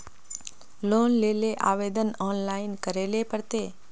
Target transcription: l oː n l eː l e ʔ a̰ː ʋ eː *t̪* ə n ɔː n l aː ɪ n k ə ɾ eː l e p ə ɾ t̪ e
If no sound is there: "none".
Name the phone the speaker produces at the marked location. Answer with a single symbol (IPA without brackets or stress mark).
d̪